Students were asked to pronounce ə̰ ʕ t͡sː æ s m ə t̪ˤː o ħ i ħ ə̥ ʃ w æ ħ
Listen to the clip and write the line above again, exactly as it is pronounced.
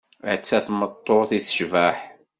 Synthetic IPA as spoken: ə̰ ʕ t͡sː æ θ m ə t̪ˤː o θ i θ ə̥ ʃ v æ ħ